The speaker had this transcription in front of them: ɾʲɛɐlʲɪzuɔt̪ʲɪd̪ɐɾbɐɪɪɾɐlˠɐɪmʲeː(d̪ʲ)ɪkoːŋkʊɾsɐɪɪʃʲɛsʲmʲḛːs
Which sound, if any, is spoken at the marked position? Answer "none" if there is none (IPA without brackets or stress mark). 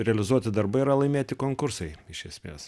t̪ʲ